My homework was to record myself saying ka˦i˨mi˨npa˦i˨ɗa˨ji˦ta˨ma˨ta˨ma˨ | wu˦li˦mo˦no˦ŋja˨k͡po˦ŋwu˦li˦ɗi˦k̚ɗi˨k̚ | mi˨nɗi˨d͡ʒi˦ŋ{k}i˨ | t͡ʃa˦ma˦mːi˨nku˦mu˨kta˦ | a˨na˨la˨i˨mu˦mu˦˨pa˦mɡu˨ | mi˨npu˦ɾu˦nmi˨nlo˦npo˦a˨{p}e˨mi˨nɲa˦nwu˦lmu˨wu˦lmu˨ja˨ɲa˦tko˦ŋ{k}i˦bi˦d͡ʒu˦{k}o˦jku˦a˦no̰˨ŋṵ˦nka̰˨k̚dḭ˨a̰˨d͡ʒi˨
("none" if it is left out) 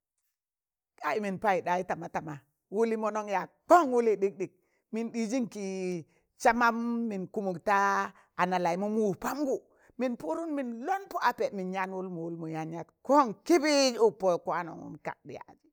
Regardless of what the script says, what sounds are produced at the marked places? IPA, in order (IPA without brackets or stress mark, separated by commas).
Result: k, p, k, p